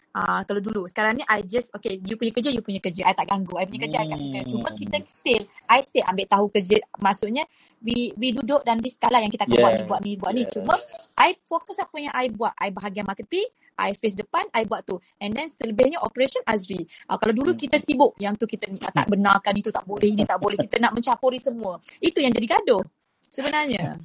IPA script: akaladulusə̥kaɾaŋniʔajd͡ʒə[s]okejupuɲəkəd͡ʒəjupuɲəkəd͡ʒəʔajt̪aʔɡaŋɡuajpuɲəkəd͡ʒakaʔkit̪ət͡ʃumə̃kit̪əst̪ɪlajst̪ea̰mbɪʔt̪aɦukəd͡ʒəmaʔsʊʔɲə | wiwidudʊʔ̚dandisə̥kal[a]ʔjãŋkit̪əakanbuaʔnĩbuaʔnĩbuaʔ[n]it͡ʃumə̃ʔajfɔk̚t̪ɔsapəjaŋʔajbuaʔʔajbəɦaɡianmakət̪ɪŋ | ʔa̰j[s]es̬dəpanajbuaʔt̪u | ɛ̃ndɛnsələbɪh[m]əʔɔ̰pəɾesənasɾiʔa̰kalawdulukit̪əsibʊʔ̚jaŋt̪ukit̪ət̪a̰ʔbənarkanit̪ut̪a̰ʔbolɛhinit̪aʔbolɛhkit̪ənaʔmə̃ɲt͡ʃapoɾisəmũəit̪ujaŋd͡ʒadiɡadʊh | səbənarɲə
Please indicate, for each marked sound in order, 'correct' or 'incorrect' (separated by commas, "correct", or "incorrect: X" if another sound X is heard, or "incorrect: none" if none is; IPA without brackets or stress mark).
correct, correct, correct, incorrect: f, incorrect: ɲ